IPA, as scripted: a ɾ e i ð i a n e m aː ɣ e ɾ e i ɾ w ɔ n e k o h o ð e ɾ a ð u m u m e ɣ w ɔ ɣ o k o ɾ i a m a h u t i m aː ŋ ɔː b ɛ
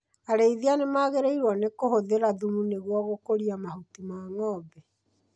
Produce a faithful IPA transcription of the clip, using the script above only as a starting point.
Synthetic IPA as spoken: a ɾ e i ð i a n e m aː ɣ e ɾ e i ɾ w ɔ n e k o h o ð e ɾ a ð u m u n e ɣ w ɔ ɣ o k o ɾ i a m a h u t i m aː ŋ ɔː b ɛ